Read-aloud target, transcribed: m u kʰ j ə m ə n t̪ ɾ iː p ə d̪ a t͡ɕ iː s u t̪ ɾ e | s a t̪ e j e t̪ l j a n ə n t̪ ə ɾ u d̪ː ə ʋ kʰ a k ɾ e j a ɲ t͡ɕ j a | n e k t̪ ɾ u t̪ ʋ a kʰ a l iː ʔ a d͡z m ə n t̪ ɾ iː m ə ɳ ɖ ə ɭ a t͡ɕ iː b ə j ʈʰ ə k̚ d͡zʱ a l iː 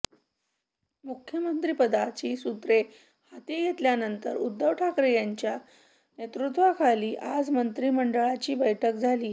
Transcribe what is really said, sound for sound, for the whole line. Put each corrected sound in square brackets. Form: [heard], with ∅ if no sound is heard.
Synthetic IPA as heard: m u kʰ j ə m ə n t̪ ɾ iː p ə d̪ a t͡ɕ iː s u t̪ ɾ e | [h] a t̪ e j e t̪ l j a n ə n t̪ ə ɾ u d̪ː ə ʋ [ʈʰ] a k ɾ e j a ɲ t͡ɕ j a | n e [∅] t̪ ɾ u t̪ ʋ a kʰ a l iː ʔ a d͡z m ə n t̪ ɾ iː m ə ɳ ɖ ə ɭ a t͡ɕ iː b ə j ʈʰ ə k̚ d͡zʱ a l iː